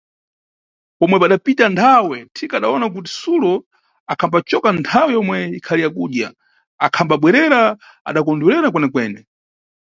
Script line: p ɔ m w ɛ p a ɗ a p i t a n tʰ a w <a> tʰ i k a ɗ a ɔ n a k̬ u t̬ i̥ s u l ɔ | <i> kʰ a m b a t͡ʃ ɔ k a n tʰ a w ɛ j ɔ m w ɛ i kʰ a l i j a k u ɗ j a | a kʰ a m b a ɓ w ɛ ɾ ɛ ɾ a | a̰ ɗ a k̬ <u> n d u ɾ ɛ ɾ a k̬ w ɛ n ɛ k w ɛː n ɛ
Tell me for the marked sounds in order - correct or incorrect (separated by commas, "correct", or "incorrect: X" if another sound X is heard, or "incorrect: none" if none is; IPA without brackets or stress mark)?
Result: incorrect: ɛ, incorrect: a, incorrect: ɔ